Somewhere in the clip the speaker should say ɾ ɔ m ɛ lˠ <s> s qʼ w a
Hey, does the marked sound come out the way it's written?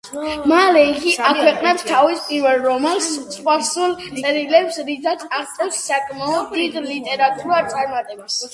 yes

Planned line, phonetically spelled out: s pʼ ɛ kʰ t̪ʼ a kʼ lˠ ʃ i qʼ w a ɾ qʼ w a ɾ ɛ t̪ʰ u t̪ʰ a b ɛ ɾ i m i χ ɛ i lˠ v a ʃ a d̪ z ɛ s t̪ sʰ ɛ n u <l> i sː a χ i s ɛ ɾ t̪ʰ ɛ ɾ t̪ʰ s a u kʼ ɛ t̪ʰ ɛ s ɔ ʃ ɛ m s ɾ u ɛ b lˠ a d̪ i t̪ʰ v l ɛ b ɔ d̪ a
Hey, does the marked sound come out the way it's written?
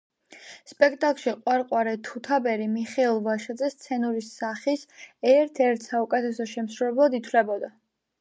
no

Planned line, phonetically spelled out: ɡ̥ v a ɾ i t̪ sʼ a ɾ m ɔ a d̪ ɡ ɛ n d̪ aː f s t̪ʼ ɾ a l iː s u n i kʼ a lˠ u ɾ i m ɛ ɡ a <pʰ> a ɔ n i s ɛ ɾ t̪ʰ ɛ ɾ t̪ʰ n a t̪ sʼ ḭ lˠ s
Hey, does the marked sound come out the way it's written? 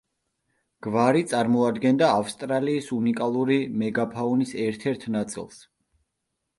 yes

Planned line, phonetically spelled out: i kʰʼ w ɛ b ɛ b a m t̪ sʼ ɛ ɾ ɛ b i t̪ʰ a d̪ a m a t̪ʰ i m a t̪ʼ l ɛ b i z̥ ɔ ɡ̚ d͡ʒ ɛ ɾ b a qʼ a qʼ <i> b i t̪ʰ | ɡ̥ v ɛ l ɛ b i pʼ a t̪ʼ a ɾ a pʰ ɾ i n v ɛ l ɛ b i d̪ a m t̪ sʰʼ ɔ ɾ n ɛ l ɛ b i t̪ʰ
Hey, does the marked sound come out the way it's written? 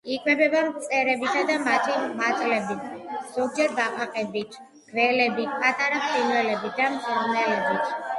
no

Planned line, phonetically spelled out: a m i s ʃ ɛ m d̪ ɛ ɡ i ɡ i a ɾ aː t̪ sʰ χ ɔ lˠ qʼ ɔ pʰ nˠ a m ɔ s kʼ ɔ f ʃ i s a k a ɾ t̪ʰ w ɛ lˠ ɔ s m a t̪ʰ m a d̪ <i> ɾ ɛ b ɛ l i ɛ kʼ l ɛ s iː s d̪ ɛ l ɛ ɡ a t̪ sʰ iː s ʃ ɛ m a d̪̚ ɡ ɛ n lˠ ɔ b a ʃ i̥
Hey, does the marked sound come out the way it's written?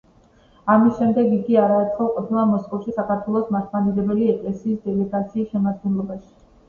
yes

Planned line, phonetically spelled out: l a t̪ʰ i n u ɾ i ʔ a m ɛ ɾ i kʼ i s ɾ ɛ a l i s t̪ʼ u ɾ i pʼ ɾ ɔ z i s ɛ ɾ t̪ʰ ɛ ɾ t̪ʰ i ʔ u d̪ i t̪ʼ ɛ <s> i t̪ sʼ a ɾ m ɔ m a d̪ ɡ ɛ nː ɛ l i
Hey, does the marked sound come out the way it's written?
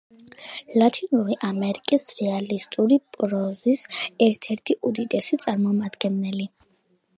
yes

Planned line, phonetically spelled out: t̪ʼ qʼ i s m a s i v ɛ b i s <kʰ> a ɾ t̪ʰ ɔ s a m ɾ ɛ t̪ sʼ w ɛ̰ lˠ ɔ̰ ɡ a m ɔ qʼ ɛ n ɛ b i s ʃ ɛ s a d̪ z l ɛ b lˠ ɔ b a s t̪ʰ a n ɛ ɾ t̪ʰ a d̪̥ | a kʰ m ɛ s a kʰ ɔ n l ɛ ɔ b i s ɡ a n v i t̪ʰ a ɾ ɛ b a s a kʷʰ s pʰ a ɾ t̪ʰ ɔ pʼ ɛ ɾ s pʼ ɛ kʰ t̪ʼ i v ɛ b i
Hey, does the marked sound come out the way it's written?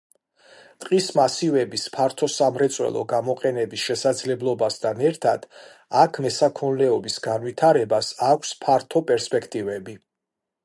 no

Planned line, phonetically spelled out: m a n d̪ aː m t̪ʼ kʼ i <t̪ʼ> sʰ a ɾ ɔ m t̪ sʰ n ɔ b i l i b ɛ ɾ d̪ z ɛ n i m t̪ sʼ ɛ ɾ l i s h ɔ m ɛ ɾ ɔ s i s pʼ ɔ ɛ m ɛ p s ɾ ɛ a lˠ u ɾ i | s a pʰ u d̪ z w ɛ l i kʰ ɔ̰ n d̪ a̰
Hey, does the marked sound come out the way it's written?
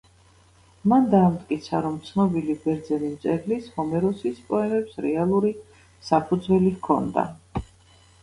no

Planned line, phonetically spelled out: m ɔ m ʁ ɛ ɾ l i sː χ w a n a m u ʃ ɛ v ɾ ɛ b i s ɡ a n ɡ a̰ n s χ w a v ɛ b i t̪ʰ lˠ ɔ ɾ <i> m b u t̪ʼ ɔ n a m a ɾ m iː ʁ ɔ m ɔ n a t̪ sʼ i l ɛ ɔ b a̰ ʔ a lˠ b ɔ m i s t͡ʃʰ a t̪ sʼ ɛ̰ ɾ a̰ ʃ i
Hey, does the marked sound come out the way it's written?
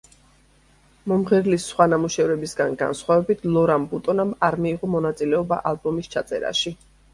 no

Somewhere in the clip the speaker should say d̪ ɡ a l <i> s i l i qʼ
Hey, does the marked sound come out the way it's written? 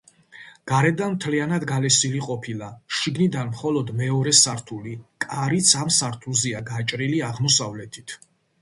no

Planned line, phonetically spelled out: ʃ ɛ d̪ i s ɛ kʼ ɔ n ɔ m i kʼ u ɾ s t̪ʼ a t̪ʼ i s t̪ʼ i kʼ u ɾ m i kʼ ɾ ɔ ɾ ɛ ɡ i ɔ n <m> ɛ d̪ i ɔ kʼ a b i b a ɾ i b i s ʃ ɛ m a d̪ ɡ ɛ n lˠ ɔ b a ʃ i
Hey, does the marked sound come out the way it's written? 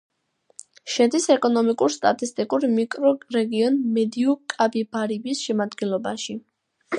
yes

